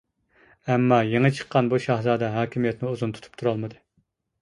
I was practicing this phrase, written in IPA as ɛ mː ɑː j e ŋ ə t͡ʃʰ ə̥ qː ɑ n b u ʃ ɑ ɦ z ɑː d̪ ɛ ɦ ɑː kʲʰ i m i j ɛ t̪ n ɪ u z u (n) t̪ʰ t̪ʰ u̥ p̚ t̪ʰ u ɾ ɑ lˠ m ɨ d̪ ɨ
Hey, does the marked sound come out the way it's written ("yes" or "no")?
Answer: yes